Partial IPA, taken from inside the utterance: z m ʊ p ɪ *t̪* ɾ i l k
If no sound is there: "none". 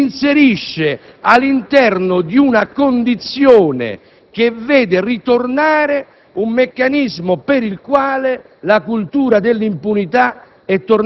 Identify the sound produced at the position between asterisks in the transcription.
none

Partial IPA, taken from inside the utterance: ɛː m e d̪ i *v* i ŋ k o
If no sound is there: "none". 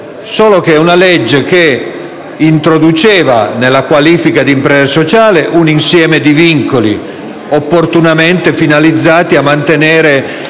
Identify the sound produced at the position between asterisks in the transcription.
v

